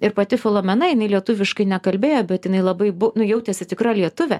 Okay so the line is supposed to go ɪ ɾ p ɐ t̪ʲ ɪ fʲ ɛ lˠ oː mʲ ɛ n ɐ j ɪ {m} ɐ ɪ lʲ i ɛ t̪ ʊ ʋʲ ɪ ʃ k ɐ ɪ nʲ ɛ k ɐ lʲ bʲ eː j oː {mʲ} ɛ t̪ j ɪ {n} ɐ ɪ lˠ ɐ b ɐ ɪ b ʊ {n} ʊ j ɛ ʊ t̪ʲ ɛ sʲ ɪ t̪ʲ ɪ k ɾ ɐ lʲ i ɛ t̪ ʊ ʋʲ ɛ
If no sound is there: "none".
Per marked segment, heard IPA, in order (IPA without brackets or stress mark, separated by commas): n, bʲ, n, n